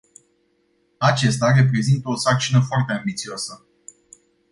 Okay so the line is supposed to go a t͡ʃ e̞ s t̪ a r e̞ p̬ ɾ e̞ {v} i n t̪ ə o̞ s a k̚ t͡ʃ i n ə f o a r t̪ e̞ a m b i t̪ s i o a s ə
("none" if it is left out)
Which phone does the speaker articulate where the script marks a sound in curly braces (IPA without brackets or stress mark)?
z